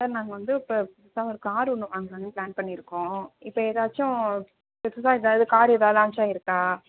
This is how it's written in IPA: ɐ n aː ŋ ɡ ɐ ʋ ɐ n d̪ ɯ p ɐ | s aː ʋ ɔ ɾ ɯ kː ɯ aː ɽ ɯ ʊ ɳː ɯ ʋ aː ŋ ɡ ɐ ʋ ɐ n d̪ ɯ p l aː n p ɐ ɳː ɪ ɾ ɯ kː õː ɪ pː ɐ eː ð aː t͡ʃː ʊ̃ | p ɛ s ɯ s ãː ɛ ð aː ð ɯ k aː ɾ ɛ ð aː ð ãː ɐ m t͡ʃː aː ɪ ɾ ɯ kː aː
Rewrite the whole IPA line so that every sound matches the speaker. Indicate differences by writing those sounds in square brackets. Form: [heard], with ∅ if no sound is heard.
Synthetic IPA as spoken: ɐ n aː ŋ ɡ ɐ ʋ ɐ n d̪ ɯ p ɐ | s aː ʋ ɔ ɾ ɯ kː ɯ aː [ɾ] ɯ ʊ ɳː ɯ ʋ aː ŋ ɡ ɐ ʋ ɐ n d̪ ɯ p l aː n p ɐ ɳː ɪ ɾ ɯ kː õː ɪ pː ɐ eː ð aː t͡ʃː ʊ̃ | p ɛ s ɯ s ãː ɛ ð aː ð ɯ k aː ɾ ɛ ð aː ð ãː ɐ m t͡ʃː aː ɪ ɾ ɯ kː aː

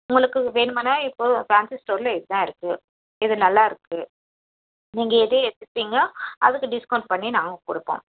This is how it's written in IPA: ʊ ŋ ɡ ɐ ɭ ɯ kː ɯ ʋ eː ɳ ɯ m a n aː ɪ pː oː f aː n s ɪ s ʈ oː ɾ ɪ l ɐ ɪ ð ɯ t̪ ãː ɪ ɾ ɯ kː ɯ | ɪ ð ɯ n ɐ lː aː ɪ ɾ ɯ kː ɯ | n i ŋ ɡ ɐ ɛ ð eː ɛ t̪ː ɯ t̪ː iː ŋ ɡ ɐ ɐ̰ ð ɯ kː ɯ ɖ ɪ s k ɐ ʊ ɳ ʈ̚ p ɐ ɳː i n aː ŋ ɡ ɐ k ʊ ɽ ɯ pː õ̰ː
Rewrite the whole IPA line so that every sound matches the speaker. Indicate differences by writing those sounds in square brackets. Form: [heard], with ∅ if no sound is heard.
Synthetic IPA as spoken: ʊ ŋ ɡ ɐ ɭ ɯ kː ɯ ʋ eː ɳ ɯ m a n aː ɪ pː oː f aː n s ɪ s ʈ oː ɾ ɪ l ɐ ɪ ð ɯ t̪ ãː ɪ ɾ ɯ kː ɯ | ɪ ð ɯ n ɐ lː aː ɪ ɾ ɯ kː ɯ | n [iː] ŋ ɡ ɐ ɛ ð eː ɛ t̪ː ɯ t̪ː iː ŋ ɡ ɐ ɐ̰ ð ɯ kː ɯ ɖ ɪ s k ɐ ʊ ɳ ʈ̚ p ɐ ɳː i n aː ŋ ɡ ɐ k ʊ ɽ ɯ pː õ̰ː

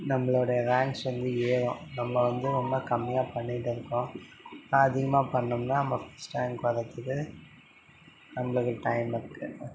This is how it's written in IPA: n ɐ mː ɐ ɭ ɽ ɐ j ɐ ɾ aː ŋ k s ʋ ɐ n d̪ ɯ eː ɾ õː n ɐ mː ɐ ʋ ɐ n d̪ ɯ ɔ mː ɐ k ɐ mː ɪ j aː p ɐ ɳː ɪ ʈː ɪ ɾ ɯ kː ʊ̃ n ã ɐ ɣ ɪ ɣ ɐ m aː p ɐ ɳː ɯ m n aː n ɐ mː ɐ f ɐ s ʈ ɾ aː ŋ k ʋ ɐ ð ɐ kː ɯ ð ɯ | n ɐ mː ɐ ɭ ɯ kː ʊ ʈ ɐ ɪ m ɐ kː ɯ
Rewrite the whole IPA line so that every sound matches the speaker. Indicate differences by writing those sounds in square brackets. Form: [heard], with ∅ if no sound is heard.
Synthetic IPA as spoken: n ɐ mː ɐ ɭ ɽ ɐ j ɐ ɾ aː ŋ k s ʋ ɐ n d̪ ɯ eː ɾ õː n ɐ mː ɐ ʋ ɐ n d̪ ɯ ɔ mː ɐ k ɐ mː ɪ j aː p ɐ ɳː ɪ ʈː ɪ ɾ ɯ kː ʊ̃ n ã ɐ [ð] ɪ ɣ ɐ m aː p ɐ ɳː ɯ m n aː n ɐ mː ɐ f ɐ s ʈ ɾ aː ŋ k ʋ ɐ ð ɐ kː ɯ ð ɯ | n ɐ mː ɐ ɭ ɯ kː [ɯ] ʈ ɐ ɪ m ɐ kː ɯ

